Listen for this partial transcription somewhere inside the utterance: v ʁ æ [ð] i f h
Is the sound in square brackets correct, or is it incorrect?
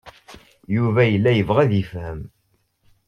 correct